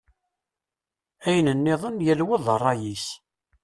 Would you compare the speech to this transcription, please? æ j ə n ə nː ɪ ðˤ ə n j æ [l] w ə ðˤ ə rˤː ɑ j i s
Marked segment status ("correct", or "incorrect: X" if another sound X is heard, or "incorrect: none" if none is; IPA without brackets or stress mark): correct